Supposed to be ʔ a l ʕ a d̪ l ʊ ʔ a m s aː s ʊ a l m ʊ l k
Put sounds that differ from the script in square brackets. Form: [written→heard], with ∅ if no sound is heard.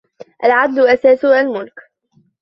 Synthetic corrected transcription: ʔ a l ʕ a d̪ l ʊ ʔ a [m→∅] s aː s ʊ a l m ʊ l k